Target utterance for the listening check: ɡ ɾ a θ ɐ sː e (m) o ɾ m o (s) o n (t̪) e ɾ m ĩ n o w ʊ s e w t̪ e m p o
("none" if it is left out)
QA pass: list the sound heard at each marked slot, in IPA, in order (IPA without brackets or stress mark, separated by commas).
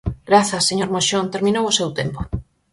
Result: ɲ, ʃ, t̪